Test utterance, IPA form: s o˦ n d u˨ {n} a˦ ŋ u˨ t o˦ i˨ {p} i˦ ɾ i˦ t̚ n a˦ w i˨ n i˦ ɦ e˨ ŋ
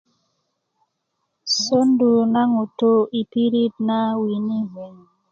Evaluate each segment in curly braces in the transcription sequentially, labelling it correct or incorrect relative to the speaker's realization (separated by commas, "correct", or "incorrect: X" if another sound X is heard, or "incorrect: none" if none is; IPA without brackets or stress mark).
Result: correct, correct